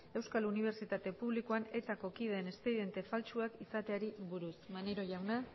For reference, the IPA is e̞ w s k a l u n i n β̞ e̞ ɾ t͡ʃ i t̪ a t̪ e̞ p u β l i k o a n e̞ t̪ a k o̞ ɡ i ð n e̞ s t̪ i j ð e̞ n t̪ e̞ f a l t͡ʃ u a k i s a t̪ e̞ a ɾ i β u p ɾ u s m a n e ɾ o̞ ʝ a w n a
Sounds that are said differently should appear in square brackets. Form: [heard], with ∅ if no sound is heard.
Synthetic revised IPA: e̞ w s k a l u n i [∅] β̞ e̞ ɾ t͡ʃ i t̪ a t̪ e̞ p u β l i k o a n e̞ t̪ a k o̞ [k] i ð n e̞ s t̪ [e] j ð e̞ n t̪ e̞ f a l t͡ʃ u a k i s a t̪ e̞ a ɾ i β u [∅] ɾ u s m a n e ɾ o̞ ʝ a w n a